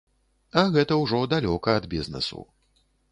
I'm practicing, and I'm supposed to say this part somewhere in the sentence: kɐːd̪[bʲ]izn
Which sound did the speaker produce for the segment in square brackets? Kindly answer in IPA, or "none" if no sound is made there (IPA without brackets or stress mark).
bʲ